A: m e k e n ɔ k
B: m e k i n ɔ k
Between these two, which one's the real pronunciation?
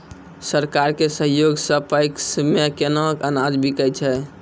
A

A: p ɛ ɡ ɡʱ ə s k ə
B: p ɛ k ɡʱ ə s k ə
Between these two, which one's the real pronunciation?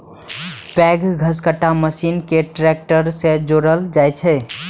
A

